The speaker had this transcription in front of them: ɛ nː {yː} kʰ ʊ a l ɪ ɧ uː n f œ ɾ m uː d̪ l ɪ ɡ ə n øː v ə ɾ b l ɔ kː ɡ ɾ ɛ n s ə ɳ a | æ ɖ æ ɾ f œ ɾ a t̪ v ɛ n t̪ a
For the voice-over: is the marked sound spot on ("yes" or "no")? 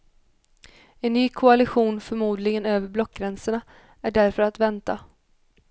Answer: yes